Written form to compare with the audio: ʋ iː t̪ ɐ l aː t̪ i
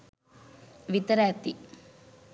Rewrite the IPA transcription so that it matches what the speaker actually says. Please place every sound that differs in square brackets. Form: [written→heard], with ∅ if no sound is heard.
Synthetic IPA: ʋ [iː→i] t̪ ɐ [l→ɾ] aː t̪ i